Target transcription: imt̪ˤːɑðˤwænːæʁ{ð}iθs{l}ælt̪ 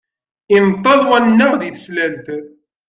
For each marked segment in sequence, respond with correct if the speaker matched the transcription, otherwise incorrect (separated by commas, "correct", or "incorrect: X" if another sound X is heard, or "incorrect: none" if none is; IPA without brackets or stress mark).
correct, correct